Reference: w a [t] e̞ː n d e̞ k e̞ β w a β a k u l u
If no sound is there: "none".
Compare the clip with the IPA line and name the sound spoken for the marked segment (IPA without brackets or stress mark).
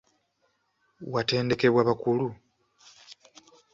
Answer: t